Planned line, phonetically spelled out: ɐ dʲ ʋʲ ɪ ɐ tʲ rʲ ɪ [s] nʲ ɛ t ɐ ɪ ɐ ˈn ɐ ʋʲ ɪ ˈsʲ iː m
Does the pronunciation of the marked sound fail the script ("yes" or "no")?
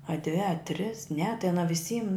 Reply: no